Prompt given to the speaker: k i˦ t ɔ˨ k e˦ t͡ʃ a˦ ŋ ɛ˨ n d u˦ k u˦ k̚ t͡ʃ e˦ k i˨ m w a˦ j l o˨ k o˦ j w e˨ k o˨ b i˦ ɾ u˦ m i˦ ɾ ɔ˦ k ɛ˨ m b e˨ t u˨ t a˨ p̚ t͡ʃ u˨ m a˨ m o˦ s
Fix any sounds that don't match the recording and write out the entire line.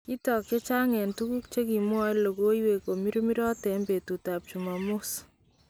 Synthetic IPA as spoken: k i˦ t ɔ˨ k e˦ t͡ʃ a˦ ŋ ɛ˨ n t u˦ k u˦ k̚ t͡ʃ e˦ k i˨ m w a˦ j l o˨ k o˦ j w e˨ k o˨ m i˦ ɾ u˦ m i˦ ɾ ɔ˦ t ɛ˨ m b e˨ t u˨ t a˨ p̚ t͡ʃ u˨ m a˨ m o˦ s